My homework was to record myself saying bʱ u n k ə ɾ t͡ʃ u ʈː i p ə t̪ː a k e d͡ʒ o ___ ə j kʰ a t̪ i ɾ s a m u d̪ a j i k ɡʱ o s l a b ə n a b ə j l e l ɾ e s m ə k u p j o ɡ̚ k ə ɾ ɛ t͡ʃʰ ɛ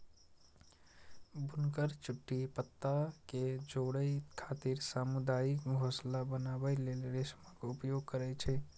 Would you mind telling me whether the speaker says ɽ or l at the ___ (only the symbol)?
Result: ɽ